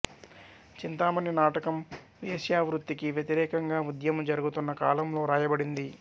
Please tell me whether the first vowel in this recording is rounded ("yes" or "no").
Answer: no